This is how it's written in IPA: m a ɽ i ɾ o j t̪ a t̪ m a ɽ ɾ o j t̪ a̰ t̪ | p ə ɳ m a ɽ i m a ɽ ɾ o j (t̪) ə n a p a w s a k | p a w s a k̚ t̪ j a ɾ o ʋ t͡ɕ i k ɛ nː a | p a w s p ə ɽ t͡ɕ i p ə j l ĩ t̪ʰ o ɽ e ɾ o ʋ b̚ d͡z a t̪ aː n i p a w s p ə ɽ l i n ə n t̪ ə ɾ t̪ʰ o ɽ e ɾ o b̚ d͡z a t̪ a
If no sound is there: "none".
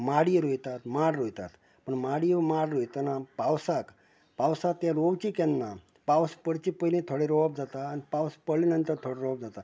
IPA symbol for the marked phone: t̪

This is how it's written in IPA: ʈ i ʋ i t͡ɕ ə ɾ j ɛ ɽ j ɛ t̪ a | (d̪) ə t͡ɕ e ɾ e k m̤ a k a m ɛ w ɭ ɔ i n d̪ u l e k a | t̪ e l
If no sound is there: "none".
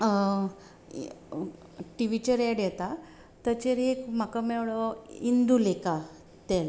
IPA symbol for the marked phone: t̪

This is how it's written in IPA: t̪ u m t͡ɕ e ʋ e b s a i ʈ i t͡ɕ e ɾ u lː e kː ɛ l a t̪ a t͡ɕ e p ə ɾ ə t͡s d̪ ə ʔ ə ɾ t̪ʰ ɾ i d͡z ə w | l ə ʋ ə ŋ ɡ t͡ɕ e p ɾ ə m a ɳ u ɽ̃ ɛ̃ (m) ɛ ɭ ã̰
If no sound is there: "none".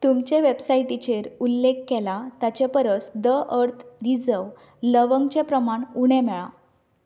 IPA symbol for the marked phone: m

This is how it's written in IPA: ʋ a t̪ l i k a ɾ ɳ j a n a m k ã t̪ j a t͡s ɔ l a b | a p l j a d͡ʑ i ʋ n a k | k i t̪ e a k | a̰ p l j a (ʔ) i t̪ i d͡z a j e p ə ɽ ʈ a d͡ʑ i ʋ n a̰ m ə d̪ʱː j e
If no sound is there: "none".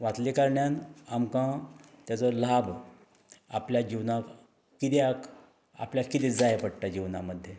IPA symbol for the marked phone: k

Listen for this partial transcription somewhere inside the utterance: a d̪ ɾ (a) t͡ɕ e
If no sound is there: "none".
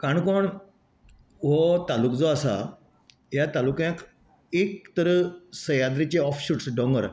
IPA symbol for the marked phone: i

